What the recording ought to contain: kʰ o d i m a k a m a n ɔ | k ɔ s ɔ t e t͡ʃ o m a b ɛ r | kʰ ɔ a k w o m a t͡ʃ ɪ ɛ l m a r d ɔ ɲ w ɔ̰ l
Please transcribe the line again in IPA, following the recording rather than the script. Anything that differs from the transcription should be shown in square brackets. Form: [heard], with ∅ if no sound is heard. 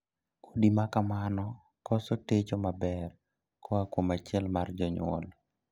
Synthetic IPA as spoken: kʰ o d i m a k a m a n ɔ | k ɔ s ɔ t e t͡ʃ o m a b ɛ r | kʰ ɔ a k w o m a t͡ʃ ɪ ɛ l m a r [d͡ʒ] ɔ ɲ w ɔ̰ l